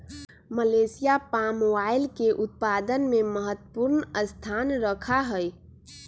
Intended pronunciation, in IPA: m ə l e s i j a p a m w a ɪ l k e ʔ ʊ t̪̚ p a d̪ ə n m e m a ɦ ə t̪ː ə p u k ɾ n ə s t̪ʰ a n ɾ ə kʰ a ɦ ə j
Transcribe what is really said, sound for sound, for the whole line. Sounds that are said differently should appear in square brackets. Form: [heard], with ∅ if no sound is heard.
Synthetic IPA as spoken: m ə l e s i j a p a m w a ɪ l k e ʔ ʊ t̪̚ p a d̪ ə n m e m [ə] ɦ ə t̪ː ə p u [∅] ɾ n ə s t̪ʰ a n ɾ ə kʰ a ɦ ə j